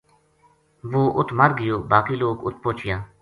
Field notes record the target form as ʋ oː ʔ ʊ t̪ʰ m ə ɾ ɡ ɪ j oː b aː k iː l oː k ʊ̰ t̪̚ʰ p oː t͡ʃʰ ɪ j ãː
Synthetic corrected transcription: ʋ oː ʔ ʊ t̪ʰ m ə ɾ ɡ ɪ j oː b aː k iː l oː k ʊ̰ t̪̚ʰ p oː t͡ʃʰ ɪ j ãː